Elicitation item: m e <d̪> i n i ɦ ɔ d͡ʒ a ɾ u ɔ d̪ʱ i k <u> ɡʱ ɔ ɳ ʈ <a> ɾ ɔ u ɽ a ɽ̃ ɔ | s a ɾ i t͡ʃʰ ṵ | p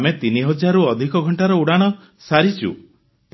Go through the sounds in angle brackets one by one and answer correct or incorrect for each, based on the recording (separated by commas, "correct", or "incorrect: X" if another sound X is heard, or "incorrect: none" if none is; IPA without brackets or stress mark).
incorrect: t̪, incorrect: ɔ, correct